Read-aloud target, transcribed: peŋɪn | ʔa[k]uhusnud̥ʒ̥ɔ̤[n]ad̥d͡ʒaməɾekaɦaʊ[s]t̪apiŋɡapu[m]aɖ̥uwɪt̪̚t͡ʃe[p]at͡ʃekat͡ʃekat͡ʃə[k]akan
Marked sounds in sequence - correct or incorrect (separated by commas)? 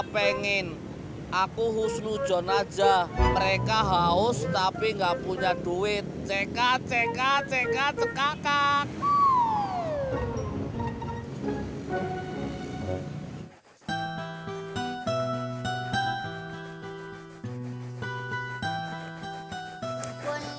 correct, correct, correct, incorrect, incorrect, correct